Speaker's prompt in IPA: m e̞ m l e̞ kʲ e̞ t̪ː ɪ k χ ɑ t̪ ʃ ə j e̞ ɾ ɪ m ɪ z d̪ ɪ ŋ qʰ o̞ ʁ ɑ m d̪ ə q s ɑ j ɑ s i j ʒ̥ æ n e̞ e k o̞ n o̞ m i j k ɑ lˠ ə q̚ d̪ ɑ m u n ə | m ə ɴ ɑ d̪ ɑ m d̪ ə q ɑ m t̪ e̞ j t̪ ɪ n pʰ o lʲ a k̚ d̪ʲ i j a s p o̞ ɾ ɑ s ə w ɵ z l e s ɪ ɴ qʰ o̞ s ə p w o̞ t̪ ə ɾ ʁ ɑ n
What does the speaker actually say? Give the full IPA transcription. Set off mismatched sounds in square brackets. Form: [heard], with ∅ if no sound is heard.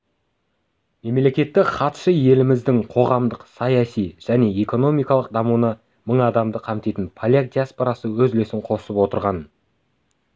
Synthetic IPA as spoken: m e̞ m l e̞ kʲ e̞ t̪ː ɪ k χ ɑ t̪ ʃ ə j e̞ [l] ɪ m ɪ z d̪ ɪ ŋ qʰ o̞ ʁ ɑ m d̪ ə q s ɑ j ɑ s i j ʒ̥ æ n e̞ e k o̞ n o̞ m i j k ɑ lˠ ə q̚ d̪ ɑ m u n ə | m ə ɴ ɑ d̪ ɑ m d̪ ə [qʰ] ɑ m t̪ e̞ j t̪ ɪ n pʰ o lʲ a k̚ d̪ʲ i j a s p o̞ ɾ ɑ s ə w ɵ z l e s ɪ ɴ qʰ o̞ s ə p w o̞ t̪ ə ɾ ʁ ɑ n

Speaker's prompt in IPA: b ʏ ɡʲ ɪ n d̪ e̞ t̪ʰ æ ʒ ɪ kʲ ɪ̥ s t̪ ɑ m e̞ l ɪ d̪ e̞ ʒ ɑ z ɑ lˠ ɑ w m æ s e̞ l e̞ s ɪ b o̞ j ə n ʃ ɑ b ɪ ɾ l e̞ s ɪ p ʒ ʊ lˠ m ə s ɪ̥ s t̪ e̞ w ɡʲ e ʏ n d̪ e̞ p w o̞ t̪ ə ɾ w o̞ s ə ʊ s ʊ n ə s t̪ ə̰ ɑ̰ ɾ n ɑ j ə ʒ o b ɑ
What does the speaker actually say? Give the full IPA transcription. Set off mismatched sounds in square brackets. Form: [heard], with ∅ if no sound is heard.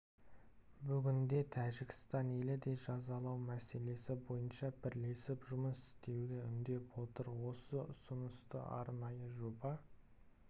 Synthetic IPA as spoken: b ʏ ɡʲ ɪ n d̪ e̞ t̪ʰ æ ʒ ɪ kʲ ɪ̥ s t̪ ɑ [n] e̞ l ɪ d̪ e̞ ʒ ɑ z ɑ lˠ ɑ w m æ s e̞ l e̞ s ɪ b o̞ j ə n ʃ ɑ b ɪ ɾ l e̞ s ɪ p ʒ ʊ [∅] m ə s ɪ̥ s t̪ e̞ w ɡʲ e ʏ n d̪ e̞ p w o̞ t̪ ə ɾ w o̞ s ə ʊ s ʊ n ə s t̪ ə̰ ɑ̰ ɾ n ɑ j ə ʒ o b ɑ

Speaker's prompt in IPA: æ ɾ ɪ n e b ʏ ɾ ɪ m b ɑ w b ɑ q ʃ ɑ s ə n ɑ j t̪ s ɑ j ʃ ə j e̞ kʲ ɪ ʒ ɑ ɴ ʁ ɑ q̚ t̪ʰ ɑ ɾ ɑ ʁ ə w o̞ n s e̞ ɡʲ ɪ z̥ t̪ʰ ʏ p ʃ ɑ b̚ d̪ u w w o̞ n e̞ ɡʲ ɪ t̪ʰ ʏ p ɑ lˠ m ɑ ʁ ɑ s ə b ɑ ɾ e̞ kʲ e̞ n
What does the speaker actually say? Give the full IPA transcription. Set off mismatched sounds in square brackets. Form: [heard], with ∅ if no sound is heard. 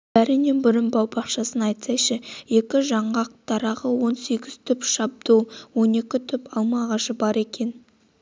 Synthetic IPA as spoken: æ ɾ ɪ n e b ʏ ɾ ɪ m b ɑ w b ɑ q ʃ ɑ s ə n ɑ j t̪ s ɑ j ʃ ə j e̞ kʲ ɪ ʒ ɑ ɴ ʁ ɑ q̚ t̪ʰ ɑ ɾ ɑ ʁ ə w o̞ n s e̞ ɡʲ ɪ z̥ t̪ʰ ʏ p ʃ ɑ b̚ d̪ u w w o̞ n e̞ [kʲ] ɪ t̪ʰ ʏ p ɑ lˠ m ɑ ʁ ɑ [ʃ] ə b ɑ ɾ e̞ kʲ e̞ n

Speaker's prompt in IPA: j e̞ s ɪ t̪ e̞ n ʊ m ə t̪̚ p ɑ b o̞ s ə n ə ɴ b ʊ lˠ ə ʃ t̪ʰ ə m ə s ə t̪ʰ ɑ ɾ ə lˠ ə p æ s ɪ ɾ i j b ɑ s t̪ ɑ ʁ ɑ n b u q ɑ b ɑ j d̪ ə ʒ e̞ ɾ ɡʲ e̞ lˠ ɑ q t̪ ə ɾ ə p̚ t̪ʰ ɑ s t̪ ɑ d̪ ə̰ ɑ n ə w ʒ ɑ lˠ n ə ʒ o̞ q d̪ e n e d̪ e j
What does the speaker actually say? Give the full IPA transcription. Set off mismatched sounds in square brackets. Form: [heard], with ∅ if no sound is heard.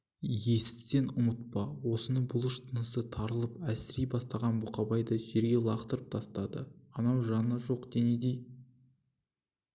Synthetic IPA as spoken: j e̞ s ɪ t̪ e̞ n ʊ m ə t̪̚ p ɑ [w] o̞ s ə n ə ɴ b ʊ lˠ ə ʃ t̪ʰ ə [n] ə s ə t̪ʰ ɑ ɾ ə lˠ ə p æ s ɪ ɾ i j b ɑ s t̪ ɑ ʁ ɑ n b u q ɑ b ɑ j d̪ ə ʒ e̞ ɾ ɡʲ e̞ lˠ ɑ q t̪ ə ɾ ə p̚ t̪ʰ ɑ s t̪ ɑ d̪ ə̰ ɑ n [ɑ] w ʒ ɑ [∅] n ə ʒ o̞ q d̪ e n e d̪ e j

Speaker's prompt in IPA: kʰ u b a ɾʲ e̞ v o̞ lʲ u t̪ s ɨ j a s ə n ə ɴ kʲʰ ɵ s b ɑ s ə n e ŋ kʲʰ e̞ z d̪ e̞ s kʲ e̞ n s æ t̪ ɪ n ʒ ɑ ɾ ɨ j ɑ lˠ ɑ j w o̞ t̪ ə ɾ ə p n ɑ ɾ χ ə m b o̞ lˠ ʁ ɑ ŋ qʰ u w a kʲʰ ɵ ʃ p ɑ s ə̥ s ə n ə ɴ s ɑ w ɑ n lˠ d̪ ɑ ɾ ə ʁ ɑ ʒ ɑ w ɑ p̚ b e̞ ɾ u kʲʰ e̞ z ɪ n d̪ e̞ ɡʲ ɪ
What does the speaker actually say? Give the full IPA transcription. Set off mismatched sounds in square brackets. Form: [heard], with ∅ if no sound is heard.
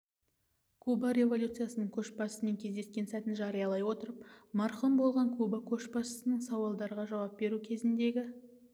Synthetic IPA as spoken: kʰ u b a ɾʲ e̞ v o̞ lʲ u t̪ s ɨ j a s ə n ə ɴ kʲʰ ɵ [ʃ] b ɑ s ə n e ŋ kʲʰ e̞ z d̪ e̞ s kʲ e̞ n s æ t̪ ɪ n ʒ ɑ ɾ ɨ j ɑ lˠ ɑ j w o̞ t̪ ə ɾ ə p [m] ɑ ɾ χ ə m b o̞ lˠ ʁ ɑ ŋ [kʰ] u [b] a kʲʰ ɵ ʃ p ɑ s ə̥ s ə n ə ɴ s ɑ w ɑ [∅] lˠ d̪ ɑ ɾ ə ʁ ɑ ʒ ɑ w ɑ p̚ b e̞ ɾ u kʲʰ e̞ z ɪ n d̪ e̞ ɡʲ ɪ

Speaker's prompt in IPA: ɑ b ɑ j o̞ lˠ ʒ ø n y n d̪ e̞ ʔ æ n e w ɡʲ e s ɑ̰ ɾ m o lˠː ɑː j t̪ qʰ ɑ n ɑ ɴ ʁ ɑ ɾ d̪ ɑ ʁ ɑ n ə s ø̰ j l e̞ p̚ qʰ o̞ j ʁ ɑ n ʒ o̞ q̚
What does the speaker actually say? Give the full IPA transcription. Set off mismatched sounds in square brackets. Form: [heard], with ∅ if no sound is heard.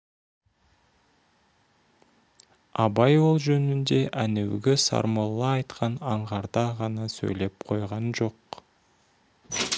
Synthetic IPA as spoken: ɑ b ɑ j o̞ lˠ ʒ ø n y n d̪ e̞ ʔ æ n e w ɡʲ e s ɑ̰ ɾ m o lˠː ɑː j t̪ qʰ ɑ n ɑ ɴ ʁ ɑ ɾ d̪ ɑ ʁ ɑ n [ɑ] s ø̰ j l e̞ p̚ qʰ o̞ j ʁ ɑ n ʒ o̞ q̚

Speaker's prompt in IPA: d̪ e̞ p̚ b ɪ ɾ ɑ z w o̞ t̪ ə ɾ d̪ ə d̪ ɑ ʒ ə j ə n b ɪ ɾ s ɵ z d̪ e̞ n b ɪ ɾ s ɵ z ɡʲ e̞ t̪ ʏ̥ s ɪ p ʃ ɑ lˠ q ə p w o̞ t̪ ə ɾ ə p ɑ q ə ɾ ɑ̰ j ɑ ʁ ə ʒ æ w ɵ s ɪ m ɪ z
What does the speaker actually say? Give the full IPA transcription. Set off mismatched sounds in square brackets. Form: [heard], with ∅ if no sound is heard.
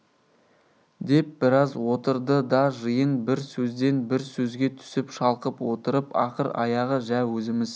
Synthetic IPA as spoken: d̪ e̞ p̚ b ɪ ɾ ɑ z w o̞ t̪ ə ɾ d̪ ə d̪ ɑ ʒ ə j ə n b ɪ ɾ s ɵ z d̪ e̞ n b ɪ ɾ s ɵ z ɡʲ e̞ [t̪ʰ] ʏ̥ s ɪ p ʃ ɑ lˠ q ə p w o̞ t̪ ə ɾ ə p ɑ q ə ɾ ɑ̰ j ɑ ʁ ə ʒ æ w ɵ [z] ɪ m ɪ z

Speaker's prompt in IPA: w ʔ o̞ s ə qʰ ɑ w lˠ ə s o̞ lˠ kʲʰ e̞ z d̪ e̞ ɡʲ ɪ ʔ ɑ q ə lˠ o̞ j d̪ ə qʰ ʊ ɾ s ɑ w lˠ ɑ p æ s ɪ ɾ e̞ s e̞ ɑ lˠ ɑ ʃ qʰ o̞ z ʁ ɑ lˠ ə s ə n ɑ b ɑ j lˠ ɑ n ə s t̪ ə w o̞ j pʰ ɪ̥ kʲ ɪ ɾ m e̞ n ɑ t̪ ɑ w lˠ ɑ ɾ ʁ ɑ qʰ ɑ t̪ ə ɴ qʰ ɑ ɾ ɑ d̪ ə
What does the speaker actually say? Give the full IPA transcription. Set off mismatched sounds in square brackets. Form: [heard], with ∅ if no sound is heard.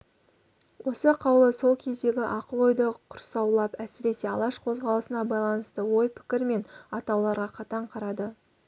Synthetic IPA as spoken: w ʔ o̞ s ə qʰ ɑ w lˠ ə s o̞ lˠ kʲʰ e̞ z d̪ e̞ ɡʲ ɪ ʔ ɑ q ə lˠ o̞ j d̪ ə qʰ ʊ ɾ s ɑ w lˠ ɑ p æ s ɪ ɾ e̞ s e̞ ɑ lˠ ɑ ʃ qʰ o̞ z ʁ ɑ lˠ ə s ə n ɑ b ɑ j lˠ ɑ n ə s t̪ ə w o̞ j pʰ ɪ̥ kʲ ɪ ɾ m e̞ n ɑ t̪ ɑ w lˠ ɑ ɾ ʁ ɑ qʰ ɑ t̪ [ɑ] ɴ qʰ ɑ ɾ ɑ d̪ ə

